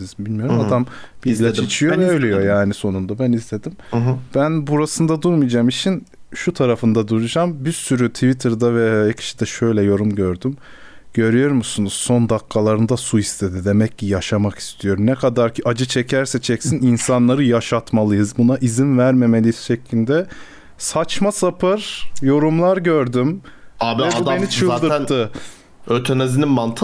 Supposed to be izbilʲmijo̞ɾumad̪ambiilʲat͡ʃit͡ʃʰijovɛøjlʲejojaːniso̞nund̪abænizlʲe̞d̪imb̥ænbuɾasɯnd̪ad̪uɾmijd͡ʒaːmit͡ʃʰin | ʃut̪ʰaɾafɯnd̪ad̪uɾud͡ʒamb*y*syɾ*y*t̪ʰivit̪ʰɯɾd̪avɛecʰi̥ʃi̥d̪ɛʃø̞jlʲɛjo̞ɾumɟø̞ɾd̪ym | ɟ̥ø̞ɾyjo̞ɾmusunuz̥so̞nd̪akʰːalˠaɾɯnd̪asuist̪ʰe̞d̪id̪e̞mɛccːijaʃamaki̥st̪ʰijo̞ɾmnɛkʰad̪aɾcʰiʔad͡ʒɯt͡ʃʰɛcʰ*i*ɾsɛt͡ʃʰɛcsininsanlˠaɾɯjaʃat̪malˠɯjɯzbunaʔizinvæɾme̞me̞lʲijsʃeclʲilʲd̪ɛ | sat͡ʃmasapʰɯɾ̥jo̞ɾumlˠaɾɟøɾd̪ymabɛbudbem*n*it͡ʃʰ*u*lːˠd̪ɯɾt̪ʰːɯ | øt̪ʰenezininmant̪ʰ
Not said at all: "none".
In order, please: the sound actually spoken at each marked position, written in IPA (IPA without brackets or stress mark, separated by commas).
i, y, æ, n, ɯ